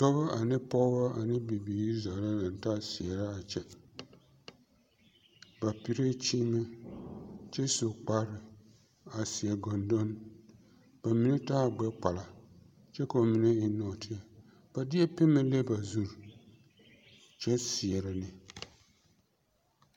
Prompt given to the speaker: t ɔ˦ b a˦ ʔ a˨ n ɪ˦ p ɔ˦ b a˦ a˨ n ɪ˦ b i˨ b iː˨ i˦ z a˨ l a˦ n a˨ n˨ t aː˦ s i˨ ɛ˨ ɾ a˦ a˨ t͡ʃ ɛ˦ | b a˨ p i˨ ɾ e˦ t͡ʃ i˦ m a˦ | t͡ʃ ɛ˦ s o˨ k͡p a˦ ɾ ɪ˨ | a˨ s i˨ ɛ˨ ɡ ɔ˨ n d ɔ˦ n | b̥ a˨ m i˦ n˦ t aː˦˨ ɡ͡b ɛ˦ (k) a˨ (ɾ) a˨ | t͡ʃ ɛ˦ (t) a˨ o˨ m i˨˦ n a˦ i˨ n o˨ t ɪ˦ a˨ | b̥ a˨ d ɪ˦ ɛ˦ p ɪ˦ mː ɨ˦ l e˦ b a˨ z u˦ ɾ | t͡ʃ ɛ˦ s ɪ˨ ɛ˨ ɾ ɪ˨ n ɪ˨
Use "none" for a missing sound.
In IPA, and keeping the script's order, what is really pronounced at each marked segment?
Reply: k͡p, l, k

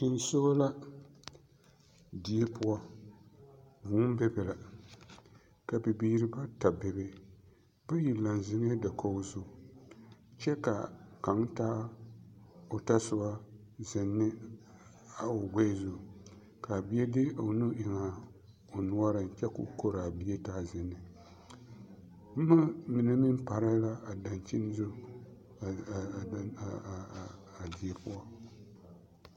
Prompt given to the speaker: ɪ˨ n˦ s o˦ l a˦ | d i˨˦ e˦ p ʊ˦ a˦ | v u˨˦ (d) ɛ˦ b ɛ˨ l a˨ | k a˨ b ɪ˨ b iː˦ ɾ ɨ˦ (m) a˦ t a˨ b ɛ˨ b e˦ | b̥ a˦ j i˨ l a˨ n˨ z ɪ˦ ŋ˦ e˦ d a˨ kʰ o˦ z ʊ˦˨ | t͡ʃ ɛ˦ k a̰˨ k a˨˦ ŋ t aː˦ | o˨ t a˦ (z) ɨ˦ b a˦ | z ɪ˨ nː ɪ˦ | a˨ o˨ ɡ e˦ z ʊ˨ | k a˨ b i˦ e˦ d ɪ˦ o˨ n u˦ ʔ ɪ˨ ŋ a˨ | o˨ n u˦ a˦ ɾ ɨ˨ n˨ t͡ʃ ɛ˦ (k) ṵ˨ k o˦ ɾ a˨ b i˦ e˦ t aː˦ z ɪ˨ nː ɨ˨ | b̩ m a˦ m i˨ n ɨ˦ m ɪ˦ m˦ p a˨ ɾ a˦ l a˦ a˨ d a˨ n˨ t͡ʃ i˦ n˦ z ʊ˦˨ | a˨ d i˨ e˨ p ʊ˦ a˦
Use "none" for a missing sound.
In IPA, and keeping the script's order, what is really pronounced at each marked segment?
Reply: b, b, s, k

